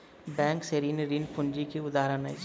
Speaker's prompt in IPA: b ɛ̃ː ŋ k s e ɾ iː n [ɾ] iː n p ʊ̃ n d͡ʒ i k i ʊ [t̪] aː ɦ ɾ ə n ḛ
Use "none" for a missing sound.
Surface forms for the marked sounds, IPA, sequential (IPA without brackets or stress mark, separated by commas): ɾ, d̪